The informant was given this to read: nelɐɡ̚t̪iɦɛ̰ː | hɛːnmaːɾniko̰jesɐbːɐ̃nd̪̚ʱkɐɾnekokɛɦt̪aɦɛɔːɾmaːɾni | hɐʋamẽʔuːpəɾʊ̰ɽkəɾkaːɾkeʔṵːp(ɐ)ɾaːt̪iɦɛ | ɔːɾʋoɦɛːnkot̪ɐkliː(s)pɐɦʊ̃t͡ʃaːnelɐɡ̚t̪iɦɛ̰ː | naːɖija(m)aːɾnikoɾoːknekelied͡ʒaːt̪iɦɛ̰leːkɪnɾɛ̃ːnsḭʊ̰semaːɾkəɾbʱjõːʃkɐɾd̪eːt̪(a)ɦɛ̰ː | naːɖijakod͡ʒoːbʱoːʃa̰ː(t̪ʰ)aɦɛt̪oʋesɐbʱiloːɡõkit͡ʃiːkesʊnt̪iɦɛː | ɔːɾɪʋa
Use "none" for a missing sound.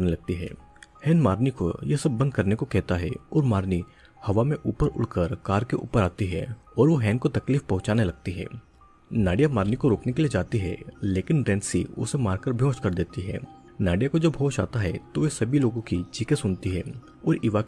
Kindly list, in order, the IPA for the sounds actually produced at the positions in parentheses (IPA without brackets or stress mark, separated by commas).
ə, f, m, i, t̪